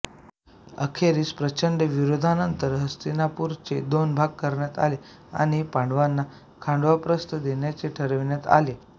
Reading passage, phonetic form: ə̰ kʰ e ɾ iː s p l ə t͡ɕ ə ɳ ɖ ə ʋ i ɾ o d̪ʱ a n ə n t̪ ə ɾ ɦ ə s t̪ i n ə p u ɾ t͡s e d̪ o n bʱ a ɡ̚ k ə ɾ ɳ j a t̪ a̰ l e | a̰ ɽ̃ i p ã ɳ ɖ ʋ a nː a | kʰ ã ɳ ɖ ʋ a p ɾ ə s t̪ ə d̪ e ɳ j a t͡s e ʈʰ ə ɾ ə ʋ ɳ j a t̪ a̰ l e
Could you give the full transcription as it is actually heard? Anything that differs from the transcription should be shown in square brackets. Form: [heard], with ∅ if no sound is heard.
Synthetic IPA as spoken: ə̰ kʰ e ɾ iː s p [ɾ] ə t͡ɕ ə ɳ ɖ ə ʋ i ɾ o d̪ʱ a n ə n t̪ ə ɾ ɦ ə s t̪ i n [a] p u ɾ t͡s e d̪ o n bʱ a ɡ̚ k ə ɾ ɳ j a t̪ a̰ l e | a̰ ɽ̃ i p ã ɳ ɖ ʋ a nː a | kʰ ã ɳ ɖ ʋ a p ɾ ə s t̪ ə d̪ e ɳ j a t͡s e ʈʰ ə ɾ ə ʋ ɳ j a t̪ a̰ l e